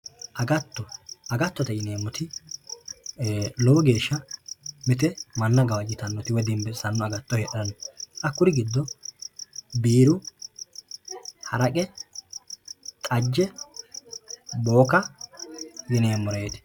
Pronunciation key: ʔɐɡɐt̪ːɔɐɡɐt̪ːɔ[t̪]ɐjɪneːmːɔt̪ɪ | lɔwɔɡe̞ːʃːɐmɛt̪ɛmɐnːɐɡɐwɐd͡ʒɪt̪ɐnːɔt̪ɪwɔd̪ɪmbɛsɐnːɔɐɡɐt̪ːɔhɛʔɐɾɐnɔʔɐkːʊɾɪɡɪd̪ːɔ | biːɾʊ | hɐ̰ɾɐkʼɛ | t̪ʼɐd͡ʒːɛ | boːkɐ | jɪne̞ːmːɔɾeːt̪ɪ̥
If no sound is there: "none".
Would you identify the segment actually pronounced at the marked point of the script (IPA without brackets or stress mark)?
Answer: t̪